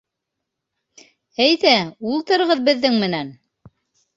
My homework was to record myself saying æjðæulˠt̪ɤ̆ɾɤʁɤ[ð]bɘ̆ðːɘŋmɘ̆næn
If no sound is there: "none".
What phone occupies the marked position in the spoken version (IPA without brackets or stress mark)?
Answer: ð